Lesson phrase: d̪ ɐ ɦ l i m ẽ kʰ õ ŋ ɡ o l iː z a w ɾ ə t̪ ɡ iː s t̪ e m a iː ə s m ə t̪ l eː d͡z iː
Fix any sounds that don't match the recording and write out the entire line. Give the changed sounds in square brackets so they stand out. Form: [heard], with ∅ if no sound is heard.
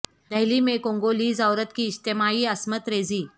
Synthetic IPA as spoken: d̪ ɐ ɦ l i m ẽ [k] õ ŋ ɡ o l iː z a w ɾ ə t̪ [k] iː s t̪ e m a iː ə s m ə t̪ [ɾ] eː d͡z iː